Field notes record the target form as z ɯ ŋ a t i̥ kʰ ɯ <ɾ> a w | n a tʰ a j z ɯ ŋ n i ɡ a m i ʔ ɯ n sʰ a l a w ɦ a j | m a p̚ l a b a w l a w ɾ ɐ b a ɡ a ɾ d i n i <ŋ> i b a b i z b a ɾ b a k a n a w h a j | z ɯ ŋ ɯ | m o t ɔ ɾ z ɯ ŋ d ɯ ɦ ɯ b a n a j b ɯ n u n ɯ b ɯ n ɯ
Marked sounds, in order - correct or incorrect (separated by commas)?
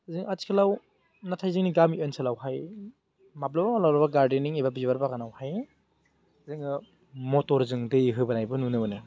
incorrect, correct